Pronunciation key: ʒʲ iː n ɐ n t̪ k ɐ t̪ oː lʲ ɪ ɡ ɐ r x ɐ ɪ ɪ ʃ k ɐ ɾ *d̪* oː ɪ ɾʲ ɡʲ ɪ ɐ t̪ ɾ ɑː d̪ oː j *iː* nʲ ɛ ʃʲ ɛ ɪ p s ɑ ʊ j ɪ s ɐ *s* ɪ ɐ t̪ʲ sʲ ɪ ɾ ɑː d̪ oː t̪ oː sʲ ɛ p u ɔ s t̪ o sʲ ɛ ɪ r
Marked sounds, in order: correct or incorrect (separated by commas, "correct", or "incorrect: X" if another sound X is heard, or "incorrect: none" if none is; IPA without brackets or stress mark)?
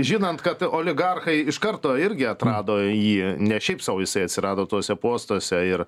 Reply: incorrect: t̪, correct, incorrect: none